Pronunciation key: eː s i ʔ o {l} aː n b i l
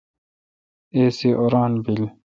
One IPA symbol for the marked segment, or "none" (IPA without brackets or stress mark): ɾ